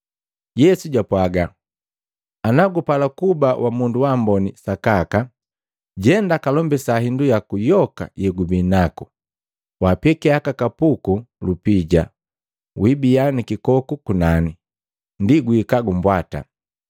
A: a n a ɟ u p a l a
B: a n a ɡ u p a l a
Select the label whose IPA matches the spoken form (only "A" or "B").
B